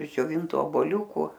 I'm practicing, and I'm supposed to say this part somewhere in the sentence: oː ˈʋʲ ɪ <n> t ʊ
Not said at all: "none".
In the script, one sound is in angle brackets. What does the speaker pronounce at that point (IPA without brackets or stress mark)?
n